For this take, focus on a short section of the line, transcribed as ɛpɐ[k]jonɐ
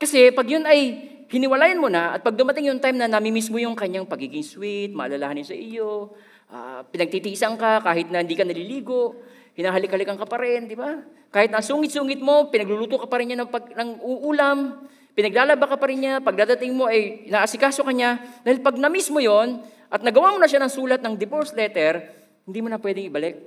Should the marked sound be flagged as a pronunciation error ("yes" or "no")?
yes